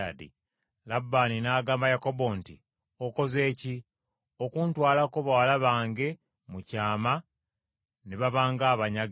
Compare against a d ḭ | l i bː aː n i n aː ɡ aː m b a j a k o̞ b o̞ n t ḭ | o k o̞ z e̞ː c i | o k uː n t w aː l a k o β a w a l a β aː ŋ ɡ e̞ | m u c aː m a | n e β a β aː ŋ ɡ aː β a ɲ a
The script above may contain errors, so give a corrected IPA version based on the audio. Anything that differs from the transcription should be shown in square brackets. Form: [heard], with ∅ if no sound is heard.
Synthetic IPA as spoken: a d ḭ | l [a] bː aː n i n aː ɡ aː m b a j a k o̞ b o̞ n t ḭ | o k o̞ z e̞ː c i | o k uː n t w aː l a k o β a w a l a β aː ŋ ɡ e̞ | m u c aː m a | n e β a β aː ŋ ɡ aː β a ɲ a